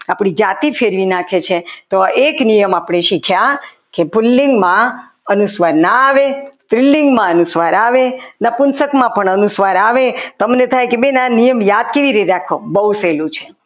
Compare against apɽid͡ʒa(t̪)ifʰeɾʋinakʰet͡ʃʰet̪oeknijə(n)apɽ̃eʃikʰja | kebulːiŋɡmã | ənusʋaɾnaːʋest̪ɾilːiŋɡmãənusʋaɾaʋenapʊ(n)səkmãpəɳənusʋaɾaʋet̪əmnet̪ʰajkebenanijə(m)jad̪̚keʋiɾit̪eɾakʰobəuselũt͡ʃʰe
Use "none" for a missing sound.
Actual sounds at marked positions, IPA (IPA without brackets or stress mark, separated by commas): t̪, m, n, m